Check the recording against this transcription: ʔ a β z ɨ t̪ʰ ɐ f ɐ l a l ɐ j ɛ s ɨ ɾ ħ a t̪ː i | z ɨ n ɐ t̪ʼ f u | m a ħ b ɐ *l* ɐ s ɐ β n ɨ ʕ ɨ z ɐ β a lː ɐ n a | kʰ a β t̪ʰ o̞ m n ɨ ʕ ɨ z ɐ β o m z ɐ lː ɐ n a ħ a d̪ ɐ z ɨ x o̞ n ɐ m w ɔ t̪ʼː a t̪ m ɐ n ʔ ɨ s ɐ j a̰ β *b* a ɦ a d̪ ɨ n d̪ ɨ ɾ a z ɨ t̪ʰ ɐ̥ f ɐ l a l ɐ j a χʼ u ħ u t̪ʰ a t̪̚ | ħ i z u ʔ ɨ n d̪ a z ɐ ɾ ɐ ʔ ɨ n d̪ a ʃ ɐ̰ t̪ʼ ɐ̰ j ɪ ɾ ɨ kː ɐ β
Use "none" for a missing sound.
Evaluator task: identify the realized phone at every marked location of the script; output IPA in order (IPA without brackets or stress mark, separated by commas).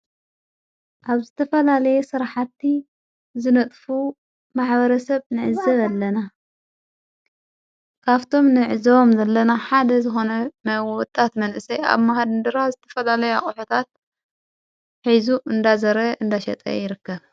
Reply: ɾ, m